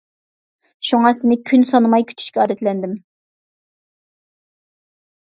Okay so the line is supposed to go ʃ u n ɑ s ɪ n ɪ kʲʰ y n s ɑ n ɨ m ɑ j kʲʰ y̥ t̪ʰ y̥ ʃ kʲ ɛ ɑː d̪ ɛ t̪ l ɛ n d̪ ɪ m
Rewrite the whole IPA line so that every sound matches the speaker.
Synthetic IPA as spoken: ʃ u ŋ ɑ s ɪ n ɪ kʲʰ y n s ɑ n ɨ m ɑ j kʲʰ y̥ t̪ʰ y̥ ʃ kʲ ɛ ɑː d̪ ɛ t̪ l ɛ n d̪ ɪ m